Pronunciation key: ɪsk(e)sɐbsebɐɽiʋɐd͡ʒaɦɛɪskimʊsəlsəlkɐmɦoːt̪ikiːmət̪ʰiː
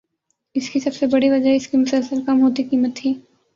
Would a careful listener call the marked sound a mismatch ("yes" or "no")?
yes